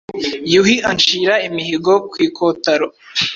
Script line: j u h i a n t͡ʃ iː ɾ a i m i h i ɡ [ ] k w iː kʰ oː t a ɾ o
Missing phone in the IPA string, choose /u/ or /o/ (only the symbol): o